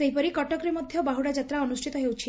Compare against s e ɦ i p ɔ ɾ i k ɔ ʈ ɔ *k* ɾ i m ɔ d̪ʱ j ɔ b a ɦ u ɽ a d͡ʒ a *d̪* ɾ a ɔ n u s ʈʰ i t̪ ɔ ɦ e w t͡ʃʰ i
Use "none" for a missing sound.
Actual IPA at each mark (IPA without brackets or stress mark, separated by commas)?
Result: k, t̪